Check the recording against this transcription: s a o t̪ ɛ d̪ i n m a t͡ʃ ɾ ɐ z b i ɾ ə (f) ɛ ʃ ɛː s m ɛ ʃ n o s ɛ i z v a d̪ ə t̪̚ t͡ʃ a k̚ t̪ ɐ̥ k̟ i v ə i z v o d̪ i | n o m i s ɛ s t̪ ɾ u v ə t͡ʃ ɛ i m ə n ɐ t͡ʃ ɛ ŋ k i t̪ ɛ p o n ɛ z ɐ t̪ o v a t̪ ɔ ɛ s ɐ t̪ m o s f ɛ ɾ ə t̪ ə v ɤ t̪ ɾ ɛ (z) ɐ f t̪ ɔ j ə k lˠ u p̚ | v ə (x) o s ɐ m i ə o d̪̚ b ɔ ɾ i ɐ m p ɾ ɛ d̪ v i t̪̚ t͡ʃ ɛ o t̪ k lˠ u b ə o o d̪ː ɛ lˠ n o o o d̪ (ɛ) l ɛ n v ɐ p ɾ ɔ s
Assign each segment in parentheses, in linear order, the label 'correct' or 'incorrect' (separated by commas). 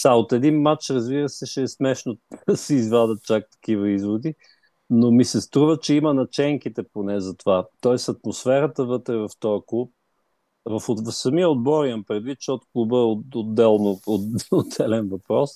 incorrect, incorrect, incorrect, correct